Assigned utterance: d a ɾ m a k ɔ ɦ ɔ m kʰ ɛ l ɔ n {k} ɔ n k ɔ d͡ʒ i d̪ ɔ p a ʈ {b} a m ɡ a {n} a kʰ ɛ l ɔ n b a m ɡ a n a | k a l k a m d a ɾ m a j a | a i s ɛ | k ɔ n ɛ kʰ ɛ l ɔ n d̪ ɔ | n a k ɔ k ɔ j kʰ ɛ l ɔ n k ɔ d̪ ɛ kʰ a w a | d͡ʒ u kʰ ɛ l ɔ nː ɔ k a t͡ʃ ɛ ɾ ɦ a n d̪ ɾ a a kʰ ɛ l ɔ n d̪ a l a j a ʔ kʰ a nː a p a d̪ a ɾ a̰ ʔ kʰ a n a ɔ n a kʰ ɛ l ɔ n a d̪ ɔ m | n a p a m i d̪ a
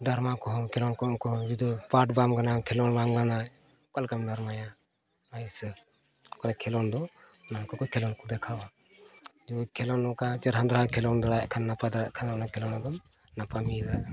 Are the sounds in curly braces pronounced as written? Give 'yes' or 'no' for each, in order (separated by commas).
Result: yes, yes, yes